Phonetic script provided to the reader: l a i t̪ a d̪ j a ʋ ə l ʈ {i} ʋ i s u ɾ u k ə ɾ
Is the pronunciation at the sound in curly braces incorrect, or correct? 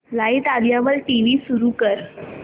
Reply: correct